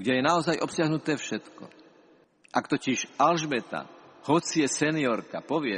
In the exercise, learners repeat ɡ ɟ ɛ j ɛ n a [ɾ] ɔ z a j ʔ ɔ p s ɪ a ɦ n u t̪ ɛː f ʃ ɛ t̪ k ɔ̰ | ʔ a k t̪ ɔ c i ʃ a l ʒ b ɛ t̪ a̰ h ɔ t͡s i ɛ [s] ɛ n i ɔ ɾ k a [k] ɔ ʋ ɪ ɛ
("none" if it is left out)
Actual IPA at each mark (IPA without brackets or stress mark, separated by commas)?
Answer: none, s, p